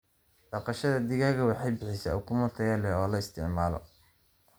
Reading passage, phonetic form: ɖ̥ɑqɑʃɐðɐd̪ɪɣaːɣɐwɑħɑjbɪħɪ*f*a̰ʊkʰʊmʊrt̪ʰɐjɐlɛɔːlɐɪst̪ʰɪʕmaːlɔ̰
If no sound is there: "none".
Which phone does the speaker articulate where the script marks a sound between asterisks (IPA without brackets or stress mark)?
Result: s